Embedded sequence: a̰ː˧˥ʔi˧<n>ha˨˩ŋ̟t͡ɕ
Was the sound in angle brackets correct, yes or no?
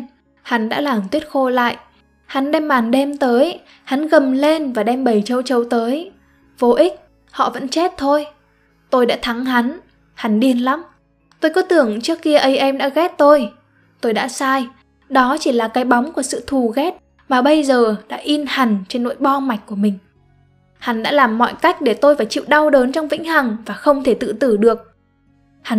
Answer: yes